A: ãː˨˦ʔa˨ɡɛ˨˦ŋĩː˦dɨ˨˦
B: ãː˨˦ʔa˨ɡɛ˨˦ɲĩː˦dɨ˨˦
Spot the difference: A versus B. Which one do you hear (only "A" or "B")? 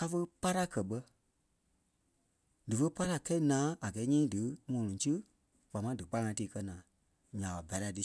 B